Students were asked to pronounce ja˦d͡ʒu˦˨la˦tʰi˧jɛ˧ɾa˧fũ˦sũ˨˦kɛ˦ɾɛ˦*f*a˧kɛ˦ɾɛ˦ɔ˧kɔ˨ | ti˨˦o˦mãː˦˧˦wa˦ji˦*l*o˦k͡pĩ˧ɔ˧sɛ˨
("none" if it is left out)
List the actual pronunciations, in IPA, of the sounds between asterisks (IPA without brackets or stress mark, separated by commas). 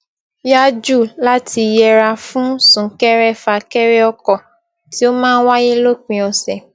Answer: f, l